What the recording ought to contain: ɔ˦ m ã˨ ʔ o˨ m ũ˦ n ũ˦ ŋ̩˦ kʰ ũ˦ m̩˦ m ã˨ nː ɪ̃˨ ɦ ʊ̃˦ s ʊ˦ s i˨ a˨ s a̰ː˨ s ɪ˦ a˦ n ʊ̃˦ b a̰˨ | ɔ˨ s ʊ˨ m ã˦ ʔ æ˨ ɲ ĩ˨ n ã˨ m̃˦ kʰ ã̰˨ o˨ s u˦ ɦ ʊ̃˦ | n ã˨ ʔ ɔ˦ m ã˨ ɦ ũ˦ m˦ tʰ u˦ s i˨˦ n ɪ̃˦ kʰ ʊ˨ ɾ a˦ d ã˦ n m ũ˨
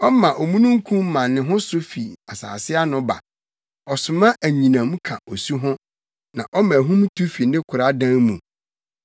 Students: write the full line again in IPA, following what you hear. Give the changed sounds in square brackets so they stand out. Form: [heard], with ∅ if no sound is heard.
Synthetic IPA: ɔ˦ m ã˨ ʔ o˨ m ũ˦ n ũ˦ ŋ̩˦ kʰ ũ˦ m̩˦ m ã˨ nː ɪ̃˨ ɦ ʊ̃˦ s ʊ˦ [f] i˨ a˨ s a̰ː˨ s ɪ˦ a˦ n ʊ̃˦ b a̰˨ | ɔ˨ s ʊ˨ m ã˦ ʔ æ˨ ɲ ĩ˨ n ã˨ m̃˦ kʰ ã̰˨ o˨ s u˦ ɦ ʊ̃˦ | n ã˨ ʔ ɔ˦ m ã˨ ɦ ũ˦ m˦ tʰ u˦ [f] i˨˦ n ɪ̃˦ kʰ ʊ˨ ɾ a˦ d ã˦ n m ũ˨